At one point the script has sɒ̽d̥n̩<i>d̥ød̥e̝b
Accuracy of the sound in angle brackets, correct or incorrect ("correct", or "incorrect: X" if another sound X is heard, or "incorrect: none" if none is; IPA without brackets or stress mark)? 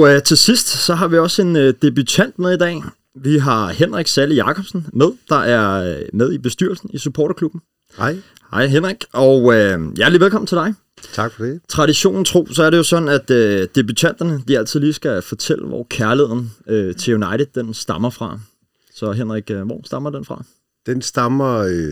incorrect: æ